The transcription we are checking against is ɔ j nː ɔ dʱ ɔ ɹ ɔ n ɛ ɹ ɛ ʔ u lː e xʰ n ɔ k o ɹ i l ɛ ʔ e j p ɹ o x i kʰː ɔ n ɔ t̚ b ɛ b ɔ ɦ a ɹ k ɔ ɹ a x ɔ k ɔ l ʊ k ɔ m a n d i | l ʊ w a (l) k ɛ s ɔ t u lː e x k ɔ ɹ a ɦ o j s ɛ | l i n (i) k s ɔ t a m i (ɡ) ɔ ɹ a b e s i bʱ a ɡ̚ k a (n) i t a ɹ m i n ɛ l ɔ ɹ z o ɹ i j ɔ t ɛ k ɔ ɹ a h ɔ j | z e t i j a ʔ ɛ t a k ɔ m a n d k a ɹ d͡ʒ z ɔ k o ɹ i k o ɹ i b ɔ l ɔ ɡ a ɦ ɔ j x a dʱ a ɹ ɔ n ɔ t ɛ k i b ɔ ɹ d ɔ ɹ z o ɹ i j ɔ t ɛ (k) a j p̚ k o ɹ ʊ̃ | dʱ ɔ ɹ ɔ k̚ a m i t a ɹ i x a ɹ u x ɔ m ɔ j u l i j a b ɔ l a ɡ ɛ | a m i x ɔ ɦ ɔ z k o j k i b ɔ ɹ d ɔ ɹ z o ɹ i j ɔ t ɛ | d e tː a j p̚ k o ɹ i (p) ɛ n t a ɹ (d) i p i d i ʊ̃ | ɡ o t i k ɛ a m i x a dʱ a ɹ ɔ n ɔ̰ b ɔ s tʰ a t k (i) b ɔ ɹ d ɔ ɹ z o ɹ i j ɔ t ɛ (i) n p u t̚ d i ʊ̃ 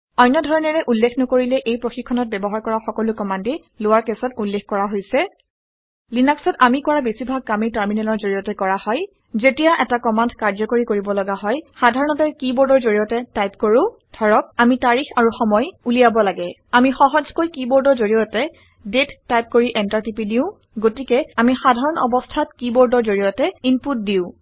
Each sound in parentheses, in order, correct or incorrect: incorrect, incorrect, incorrect, incorrect, incorrect, incorrect, incorrect, correct, correct

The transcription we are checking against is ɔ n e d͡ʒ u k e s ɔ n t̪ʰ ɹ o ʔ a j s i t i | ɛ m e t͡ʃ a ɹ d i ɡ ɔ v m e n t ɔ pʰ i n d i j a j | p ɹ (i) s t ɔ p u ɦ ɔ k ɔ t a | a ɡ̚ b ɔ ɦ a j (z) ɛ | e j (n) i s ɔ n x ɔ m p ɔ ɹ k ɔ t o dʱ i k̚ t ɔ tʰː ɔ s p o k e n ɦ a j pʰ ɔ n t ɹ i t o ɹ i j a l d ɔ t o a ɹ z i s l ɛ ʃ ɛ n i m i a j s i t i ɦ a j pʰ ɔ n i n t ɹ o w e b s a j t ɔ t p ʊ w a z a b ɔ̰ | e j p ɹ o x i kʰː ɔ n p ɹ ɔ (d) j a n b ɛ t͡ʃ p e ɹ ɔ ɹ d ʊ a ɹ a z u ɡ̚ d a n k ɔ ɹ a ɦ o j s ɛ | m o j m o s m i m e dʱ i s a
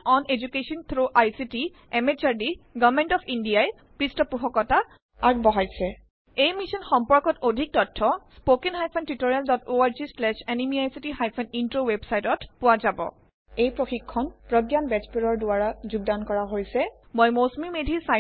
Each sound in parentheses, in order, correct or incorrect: correct, incorrect, incorrect, correct

